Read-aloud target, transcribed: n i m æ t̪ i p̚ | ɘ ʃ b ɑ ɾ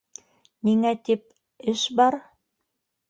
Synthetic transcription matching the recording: n i ŋ æ t̪ i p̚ | ɘ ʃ b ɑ ɾ

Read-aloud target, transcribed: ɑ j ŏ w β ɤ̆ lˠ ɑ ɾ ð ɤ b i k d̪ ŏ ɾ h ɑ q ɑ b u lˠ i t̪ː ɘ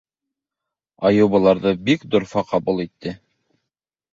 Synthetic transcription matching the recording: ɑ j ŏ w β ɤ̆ lˠ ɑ ɾ ð ɤ b i k d̪ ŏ ɾ f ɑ q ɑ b u lˠ i t̪ː ɘ

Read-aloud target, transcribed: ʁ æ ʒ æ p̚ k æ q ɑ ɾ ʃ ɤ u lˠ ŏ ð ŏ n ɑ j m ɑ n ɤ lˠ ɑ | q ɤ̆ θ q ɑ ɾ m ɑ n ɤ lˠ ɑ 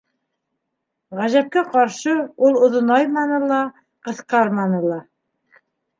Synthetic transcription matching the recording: ʁ æ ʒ æ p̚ k æ q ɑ ɾ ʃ ɤ u lˠ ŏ ð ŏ n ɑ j m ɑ n ɤ lˠ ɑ | q ɤ̆ θ q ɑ ɾ m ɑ n ɤ lˠ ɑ

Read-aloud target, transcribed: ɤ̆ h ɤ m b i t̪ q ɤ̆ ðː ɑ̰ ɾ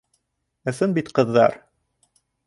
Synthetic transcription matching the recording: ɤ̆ s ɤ n b i t̪ q ɤ̆ ðː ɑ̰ ɾ

